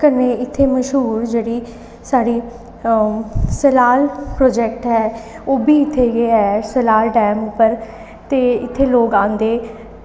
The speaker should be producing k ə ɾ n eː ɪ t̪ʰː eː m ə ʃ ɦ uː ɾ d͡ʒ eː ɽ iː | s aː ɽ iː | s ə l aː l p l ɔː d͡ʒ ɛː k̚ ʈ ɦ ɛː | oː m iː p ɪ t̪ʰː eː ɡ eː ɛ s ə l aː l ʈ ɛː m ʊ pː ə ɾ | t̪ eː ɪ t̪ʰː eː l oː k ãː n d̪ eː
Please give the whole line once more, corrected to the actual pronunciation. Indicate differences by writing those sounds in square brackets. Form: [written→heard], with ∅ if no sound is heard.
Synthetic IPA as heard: k ə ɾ n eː ɪ t̪ʰː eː m ə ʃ ɦ uː ɾ d͡ʒ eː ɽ iː | s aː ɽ iː | s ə l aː l p [l→ɾ] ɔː d͡ʒ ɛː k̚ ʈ ɦ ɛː | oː [m→b] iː [p→∅] ɪ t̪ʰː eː ɡ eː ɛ s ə l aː l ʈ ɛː m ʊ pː ə ɾ | t̪ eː ɪ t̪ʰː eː l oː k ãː n d̪ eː